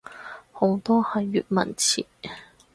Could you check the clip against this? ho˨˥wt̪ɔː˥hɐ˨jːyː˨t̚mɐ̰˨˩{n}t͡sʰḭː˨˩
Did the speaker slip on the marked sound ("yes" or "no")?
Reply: no